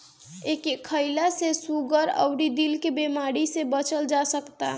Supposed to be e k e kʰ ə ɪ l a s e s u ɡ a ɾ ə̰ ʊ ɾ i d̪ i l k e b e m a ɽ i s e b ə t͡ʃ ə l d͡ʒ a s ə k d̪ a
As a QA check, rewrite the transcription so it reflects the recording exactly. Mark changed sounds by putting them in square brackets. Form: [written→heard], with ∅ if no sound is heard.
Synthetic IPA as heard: e k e kʰ ə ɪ l a s e s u ɡ [a→ə] ɾ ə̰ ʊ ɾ i d̪ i l k e b e m a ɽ i s e b ə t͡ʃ ə l d͡ʒ a s ə k [d̪→t̪] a